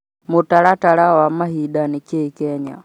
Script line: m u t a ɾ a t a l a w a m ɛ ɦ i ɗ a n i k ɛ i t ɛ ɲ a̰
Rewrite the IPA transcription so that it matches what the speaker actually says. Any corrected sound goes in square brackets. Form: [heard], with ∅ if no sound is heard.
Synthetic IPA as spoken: m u t a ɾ a t a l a w a m [a] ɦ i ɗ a n i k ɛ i [k] ɛ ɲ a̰